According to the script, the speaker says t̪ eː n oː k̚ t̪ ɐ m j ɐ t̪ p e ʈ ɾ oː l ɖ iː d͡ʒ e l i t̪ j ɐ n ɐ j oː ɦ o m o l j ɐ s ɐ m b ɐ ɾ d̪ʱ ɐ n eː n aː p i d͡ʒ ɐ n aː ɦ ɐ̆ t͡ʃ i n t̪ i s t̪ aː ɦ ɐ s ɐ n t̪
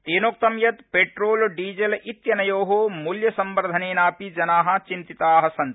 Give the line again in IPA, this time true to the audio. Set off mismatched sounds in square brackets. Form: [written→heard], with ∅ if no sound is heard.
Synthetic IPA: t̪ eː n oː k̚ t̪ ɐ m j ɐ t̪ p e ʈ ɾ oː l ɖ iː d͡ʒ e l i t̪ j ɐ n ɐ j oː ɦ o m [o→u] l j ɐ s ɐ m b ɐ ɾ d̪ʱ ɐ n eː n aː p i d͡ʒ ɐ n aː ɦ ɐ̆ t͡ʃ i n t̪ i [s→∅] t̪ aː ɦ ɐ s ɐ n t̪

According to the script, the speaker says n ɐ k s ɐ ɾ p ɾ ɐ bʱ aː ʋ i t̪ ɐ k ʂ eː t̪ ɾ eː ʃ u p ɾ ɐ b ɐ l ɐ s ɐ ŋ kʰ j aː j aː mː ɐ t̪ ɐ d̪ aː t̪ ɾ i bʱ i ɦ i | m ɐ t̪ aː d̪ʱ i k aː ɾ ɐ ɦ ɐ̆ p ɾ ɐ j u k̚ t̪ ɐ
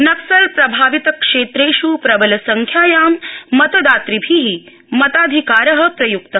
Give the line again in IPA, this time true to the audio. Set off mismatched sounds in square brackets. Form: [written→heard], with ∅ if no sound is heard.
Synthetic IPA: n ɐ k s ɐ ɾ p ɾ ɐ bʱ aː ʋ i t̪ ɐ k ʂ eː t̪ ɾ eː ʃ u p ɾ ɐ b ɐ l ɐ s ɐ ŋ kʰ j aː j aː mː ɐ t̪ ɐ d̪ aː t̪ ɾ i bʱ i ɦ i | m ɐ t̪ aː d̪ʱ i k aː ɾ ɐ ɦ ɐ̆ p ɾ ɐ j u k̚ t̪ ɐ

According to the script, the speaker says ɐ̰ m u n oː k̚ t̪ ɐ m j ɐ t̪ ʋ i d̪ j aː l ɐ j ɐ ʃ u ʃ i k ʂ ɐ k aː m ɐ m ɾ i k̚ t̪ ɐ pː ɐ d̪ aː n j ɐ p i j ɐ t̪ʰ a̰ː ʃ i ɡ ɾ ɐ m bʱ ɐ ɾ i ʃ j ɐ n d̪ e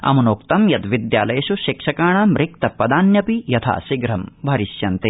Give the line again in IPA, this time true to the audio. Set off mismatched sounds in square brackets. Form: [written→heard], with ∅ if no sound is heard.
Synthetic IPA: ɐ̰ m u n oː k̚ t̪ ɐ m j ɐ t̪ ʋ i d̪ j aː l ɐ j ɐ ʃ u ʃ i k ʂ ɐ k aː [m→ɳ] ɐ m ɾ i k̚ t̪ ɐ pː ɐ d̪ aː n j ɐ p i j ɐ t̪ʰ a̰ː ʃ i ɡ ɾ ɐ m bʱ ɐ ɾ i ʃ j ɐ n [d̪→t̪] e

